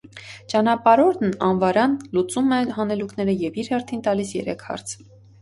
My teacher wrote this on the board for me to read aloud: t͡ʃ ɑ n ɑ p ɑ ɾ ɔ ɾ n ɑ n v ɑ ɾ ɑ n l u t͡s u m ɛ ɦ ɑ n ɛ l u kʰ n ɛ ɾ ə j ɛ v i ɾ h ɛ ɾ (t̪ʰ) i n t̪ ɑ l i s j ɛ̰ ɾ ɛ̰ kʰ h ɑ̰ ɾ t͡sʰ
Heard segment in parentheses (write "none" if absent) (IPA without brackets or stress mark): t̪ʰ